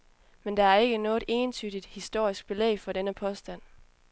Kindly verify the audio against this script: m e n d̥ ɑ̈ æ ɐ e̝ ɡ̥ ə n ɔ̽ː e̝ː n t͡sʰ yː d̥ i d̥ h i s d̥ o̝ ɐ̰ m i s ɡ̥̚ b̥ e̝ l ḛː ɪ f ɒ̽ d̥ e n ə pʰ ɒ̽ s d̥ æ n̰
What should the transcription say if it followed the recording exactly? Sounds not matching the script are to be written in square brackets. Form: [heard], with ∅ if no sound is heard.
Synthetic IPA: m e n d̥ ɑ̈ æ ɐ e̝ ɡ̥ ə n ɔ̽ː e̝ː n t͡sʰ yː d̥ i d̥ h i s d̥ o̝ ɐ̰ [∅] i s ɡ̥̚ b̥ e̝ l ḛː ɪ f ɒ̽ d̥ e n ə pʰ ɒ̽ s d̥ æ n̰